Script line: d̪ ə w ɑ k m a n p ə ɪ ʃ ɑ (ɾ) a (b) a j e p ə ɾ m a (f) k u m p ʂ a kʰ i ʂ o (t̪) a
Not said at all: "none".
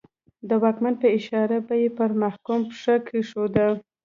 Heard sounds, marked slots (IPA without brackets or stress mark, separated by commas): ɾ, b, h, d̪